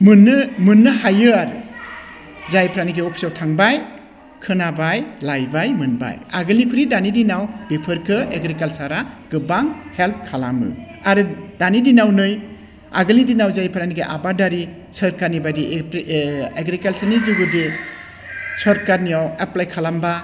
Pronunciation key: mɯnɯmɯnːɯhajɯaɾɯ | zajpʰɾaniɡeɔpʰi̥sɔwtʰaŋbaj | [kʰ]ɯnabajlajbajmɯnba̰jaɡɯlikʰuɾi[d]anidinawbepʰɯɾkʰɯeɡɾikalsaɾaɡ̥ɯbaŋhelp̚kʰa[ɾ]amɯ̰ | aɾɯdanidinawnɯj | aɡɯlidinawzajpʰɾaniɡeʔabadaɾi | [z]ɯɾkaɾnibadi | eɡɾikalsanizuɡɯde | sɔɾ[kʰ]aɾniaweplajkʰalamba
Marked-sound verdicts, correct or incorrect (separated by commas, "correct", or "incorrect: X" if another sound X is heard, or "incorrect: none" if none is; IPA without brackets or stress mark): correct, correct, incorrect: l, incorrect: s, incorrect: k